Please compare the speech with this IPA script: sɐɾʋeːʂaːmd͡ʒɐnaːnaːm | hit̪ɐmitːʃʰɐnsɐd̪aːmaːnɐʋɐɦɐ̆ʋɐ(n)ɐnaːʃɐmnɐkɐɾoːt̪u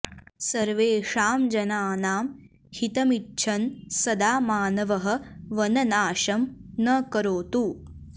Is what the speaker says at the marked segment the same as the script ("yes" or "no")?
yes